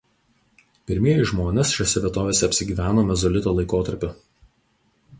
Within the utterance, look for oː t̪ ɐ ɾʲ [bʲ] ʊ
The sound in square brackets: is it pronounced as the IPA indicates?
no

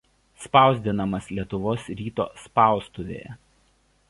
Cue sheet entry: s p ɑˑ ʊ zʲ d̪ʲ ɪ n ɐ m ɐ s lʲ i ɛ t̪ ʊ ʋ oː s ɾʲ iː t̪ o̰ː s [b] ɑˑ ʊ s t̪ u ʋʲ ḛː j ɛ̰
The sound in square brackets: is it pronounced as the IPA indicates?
no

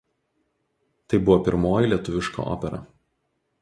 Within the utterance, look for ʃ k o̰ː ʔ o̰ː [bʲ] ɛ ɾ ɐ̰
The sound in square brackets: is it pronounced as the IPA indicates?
no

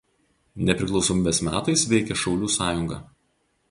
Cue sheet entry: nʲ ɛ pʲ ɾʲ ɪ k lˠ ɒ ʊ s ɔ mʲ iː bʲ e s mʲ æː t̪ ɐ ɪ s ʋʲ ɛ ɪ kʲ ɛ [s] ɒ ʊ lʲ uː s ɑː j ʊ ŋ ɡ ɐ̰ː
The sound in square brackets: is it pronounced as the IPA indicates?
no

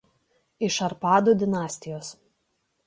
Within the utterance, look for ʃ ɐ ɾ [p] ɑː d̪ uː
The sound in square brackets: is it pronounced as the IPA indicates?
yes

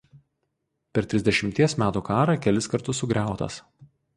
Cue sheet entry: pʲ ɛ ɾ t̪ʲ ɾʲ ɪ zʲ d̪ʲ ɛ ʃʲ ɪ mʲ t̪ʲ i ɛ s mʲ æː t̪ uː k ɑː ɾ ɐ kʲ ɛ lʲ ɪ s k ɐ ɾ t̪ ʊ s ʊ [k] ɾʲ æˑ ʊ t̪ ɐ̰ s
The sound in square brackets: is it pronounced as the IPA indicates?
no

